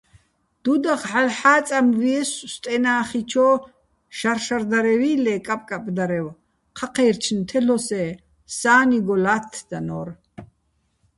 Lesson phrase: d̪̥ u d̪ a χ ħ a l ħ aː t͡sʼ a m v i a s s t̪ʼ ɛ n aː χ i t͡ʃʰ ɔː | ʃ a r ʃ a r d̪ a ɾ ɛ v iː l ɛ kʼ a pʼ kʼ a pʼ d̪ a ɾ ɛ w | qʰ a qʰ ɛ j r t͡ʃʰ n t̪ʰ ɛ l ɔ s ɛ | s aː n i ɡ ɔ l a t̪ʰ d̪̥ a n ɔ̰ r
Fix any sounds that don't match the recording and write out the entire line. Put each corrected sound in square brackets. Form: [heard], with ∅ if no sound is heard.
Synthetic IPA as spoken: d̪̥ u d̪ a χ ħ a l ħ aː t͡sʼ a m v i [ɛ] s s t̪ʼ ɛ n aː χ i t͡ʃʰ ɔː | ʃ a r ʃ a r d̪ a ɾ ɛ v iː l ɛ kʼ a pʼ kʼ a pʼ d̪ a ɾ ɛ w | qʰ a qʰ ɛ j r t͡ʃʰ n t̪ʰ ɛ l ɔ s ɛ | s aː n i ɡ ɔ l a t̪ʰ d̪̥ a n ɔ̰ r